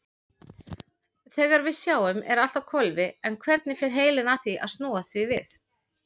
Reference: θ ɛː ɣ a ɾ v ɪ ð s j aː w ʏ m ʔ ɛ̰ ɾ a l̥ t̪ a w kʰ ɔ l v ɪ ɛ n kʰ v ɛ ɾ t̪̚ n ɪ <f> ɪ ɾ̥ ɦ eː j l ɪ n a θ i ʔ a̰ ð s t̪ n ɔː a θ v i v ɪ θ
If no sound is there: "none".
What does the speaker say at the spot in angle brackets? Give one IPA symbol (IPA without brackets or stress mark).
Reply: f